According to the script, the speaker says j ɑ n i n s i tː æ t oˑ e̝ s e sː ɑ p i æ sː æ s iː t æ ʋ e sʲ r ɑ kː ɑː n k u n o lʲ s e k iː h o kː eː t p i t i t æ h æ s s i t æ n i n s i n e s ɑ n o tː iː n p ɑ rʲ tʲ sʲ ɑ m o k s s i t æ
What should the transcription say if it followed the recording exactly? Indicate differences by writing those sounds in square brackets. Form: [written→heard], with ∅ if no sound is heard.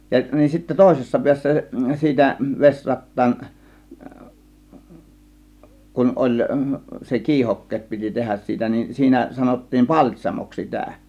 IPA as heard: j ɑ n i n s i tː æ t oˑ e̝ s e sː ɑ p i æ sː æ s iː t æ ʋ e sʲ r ɑ [kː→tː] ɑː n k u n o lʲ s e k iː h o kː eː t p i t i t [æ→e] h æ s s [i→iː] t æ n i n s [i→iː] n [e→æ] s ɑ n o tː iː n p ɑ [rʲ→lʲ] tʲ sʲ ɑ m o k s s i t æ